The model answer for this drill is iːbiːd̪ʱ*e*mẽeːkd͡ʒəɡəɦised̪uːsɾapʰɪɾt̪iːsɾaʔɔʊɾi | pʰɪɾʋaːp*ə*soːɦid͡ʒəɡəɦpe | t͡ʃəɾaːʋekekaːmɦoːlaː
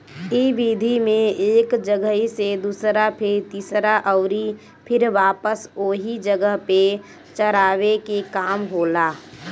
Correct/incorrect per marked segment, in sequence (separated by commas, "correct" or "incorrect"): incorrect, correct